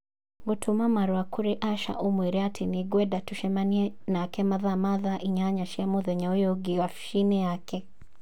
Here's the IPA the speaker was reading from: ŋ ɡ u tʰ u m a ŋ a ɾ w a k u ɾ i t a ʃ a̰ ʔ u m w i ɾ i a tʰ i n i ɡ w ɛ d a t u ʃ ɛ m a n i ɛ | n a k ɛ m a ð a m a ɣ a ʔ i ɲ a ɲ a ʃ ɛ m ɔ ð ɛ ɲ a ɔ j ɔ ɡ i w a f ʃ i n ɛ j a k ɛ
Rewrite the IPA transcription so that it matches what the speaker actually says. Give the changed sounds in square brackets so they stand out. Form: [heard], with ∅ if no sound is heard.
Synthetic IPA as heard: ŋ ɡ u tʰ u m a [m] a ɾ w a k u ɾ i [ʔ] a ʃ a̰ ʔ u m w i ɾ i a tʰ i n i ɡ w ɛ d a t u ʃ ɛ m a n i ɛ | n a k ɛ m a ð a m a [ð] a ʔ i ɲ a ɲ a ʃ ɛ m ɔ ð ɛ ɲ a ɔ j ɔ ɡ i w a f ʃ i n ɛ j a k ɛ

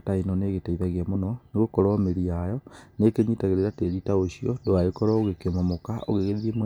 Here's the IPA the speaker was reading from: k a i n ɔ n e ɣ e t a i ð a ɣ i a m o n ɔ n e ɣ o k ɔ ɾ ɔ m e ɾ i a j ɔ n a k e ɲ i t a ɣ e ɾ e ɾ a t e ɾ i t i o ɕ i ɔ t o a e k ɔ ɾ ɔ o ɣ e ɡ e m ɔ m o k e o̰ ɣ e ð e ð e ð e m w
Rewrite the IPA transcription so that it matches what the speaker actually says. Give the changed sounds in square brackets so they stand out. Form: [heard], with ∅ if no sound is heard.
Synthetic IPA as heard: [t] a i n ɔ n e ɣ e t a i ð a ɣ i a m o n ɔ n e ɣ o k ɔ ɾ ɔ m e ɾ i a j ɔ n [e] k e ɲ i t a ɣ e ɾ e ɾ a t e ɾ i t [a] o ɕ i ɔ [d] o a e k ɔ ɾ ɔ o ɣ e [k] e m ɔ m o k [a] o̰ ɣ e [ɣ] e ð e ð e m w

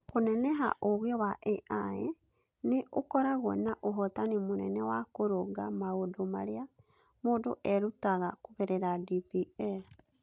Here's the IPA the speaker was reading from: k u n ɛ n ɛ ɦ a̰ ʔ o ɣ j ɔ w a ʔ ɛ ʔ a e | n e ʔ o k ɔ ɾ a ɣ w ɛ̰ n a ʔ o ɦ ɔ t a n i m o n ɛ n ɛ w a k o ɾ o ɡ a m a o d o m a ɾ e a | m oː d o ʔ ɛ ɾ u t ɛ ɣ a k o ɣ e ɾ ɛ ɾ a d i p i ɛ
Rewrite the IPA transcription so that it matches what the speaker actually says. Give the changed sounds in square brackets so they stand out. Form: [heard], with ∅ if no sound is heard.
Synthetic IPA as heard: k [o] n ɛ n ɛ ɦ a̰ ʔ o ɣ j ɔ w a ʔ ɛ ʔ a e | n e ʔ o k ɔ ɾ a ɣ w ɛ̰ n a ʔ o ɦ ɔ t a n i m o n ɛ n ɛ w a k o ɾ o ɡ a m a o d o m a ɾ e a | m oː d o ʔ ɛ ɾ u t [a] ɣ a k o ɣ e ɾ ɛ ɾ a d i p i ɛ

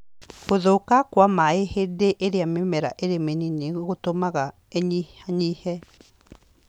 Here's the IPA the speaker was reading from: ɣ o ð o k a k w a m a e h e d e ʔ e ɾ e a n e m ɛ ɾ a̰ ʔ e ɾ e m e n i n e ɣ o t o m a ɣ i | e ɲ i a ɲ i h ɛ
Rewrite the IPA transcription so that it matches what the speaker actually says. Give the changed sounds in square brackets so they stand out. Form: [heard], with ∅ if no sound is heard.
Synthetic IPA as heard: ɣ o ð o k a k w a m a e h e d e ʔ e ɾ e a [m] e m ɛ ɾ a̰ ʔ e ɾ e m e n i n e ɣ o t o m a ɣ [a] | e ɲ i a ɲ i h ɛ

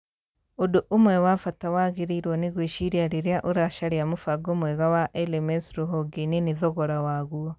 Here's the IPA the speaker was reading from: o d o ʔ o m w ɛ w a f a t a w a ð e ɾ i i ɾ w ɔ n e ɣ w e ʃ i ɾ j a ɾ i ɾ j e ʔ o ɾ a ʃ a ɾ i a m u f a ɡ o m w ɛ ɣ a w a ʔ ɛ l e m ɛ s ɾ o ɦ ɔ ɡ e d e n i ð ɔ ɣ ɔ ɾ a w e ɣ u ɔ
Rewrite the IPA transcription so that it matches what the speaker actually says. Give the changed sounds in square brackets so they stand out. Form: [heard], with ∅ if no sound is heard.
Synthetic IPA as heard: o d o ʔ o m w ɛ w a f a t a w a [ɣ] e ɾ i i ɾ w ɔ n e ɣ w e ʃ i ɾ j a ɾ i ɾ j [a] ʔ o ɾ a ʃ a ɾ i a m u f a ɡ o m w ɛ ɣ a w a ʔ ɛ l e m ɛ s ɾ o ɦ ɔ ɡ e [n] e n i ð ɔ ɣ ɔ ɾ a w [a] ɣ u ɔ

